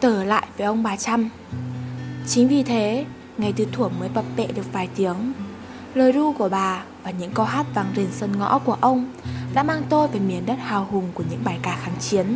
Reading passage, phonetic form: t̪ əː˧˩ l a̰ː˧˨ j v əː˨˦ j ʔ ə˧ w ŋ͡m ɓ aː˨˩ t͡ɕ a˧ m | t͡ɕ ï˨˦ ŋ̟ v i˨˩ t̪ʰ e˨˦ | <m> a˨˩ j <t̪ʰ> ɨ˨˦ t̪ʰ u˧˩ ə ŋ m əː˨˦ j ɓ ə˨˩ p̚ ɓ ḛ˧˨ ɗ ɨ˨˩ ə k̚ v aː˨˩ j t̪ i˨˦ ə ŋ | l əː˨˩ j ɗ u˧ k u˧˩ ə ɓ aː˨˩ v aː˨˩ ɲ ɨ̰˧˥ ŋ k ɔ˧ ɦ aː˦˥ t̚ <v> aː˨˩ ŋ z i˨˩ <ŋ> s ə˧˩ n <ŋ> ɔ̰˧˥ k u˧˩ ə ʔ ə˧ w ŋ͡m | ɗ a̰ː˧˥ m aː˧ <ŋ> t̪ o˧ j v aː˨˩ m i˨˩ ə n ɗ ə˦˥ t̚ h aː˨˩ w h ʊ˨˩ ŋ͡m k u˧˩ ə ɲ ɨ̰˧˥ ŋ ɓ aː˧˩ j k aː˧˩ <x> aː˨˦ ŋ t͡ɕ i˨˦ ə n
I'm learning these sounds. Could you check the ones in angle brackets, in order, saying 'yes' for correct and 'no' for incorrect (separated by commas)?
no, no, yes, no, yes, yes, yes